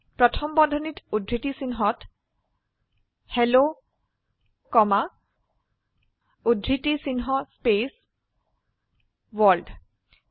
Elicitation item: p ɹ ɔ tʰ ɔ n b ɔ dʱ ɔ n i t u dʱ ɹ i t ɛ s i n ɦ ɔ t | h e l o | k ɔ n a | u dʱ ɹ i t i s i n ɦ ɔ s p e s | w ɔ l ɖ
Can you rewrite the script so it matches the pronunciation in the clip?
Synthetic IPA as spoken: p ɹ ɔ tʰ ɔ m b ɔ dʱ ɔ n i t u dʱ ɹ i t i s i n ɦ ɔ t | h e l o | k ɔ m a | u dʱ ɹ i t i s i n ɦ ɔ s p e s | w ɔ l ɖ